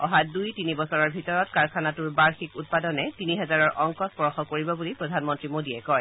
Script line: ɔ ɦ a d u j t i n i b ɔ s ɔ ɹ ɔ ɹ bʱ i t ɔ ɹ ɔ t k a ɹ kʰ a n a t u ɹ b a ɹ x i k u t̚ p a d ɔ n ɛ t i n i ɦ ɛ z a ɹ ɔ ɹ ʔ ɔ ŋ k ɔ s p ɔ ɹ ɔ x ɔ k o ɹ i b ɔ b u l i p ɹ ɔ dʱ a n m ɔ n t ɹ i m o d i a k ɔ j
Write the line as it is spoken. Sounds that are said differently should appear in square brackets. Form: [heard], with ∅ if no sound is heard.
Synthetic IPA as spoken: ɔ ɦ a d u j t i n i b ɔ s ɔ ɹ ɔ ɹ bʱ i t ɔ ɹ ɔ t k a ɹ kʰ a n a t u ɹ b a ɹ x i k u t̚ p a d ɔ n ɛ t i n i ɦ ɛ z a ɹ ɔ ɹ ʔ ɔ ŋ k ɔ s p ɔ ɹ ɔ x ɔ k o ɹ i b ɔ b u l i p ɹ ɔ dʱ a n m ɔ n t ɹ i m o d i [ɛ] k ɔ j